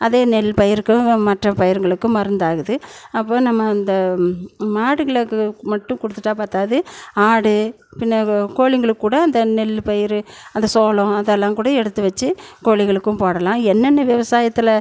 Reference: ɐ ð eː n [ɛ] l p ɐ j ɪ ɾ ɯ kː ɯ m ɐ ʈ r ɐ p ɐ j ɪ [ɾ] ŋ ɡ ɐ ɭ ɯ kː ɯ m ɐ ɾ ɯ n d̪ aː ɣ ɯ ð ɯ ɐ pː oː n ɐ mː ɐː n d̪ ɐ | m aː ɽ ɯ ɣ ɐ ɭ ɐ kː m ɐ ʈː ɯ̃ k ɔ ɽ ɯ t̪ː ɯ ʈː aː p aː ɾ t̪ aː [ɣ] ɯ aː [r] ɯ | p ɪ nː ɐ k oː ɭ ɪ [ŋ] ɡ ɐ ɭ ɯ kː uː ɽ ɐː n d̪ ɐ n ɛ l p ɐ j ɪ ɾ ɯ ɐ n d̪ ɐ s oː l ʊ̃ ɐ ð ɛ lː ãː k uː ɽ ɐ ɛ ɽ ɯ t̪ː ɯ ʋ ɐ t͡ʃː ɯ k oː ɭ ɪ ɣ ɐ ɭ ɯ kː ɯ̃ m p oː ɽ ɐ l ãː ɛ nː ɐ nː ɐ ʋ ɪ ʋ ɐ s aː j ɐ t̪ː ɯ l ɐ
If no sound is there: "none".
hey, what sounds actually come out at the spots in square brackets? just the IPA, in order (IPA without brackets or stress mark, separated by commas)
ɛ, ɾ, ð, ɽ, ŋ